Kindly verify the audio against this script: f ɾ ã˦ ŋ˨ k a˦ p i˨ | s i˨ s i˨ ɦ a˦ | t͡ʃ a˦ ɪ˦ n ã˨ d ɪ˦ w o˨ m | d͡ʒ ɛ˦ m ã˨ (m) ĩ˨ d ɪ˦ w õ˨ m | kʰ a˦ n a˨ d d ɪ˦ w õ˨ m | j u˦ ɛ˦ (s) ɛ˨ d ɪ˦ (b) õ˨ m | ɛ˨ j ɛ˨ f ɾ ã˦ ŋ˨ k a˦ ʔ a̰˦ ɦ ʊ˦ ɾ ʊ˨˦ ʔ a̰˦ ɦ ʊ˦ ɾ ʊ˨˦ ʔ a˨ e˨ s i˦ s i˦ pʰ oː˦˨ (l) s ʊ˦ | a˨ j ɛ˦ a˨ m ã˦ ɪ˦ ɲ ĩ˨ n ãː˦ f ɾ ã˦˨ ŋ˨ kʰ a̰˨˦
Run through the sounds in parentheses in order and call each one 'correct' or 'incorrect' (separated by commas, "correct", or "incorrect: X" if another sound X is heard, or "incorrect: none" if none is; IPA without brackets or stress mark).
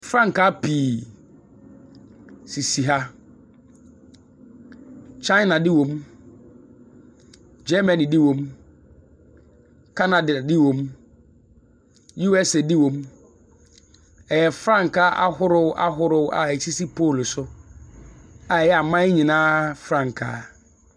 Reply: incorrect: n, correct, incorrect: w, correct